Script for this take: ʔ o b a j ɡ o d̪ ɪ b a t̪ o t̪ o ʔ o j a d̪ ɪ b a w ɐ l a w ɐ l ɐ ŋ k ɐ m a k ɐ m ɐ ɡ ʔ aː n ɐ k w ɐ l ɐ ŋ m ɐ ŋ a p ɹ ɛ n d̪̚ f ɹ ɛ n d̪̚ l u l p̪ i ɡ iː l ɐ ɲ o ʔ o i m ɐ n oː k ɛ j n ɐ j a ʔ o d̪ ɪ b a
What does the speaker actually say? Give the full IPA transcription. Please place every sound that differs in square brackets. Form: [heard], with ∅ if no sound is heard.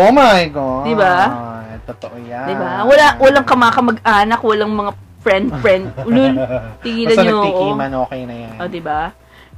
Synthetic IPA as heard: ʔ o [m] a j ɡ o d̪ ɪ b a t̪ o t̪ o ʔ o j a d̪ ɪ b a w ɐ l a w ɐ l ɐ ŋ k ɐ m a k ɐ m ɐ ɡ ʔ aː n ɐ k w ɐ l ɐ ŋ m ɐ ŋ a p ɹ ɛ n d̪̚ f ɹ ɛ n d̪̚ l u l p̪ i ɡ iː l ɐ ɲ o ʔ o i m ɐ n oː k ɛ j n ɐ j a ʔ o d̪ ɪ b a